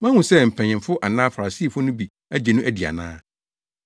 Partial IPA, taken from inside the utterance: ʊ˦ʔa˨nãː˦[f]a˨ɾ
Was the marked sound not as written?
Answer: no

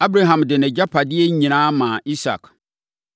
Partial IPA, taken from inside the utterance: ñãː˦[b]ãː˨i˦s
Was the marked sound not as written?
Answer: yes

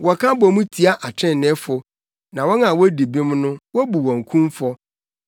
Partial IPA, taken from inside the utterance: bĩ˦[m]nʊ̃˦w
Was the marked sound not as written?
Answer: no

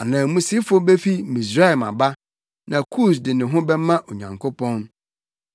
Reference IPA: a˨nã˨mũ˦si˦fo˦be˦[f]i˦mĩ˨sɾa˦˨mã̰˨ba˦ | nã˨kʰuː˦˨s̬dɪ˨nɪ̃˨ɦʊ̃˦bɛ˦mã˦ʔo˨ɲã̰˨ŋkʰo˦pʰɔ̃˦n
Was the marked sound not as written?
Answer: no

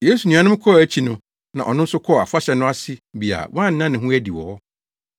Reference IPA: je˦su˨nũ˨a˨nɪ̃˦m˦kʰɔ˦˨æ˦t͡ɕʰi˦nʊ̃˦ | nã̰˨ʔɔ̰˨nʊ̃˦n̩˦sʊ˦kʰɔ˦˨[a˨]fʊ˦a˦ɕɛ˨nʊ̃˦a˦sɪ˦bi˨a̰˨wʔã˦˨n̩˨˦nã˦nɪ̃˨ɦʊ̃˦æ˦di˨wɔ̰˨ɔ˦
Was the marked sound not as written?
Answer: no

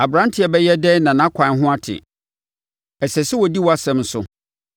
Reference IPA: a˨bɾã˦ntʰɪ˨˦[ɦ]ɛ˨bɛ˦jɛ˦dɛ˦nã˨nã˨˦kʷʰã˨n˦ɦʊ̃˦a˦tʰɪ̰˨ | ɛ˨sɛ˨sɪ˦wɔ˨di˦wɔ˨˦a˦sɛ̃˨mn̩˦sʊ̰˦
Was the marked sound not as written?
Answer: yes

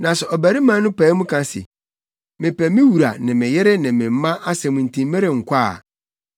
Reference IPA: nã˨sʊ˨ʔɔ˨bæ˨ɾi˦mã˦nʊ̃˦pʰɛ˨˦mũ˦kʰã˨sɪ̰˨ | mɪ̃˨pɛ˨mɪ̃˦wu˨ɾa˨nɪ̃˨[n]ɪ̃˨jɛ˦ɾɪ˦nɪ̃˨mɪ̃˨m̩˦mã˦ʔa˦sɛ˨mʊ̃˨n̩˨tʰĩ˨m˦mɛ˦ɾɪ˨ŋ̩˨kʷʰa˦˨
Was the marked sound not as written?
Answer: yes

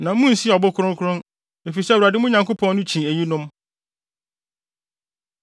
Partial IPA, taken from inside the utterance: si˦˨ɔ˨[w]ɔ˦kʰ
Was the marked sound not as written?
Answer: yes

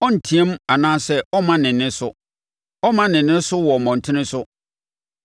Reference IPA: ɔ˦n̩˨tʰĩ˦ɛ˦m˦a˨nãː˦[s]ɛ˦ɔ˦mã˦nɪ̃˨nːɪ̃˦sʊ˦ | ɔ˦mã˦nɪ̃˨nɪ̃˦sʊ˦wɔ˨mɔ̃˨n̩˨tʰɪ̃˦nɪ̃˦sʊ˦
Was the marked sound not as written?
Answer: no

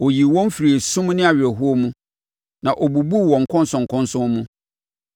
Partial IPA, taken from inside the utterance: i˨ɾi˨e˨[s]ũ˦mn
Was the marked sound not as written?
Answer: no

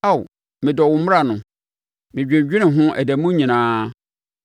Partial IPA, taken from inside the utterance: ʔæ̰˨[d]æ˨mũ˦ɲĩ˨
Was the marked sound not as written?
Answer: no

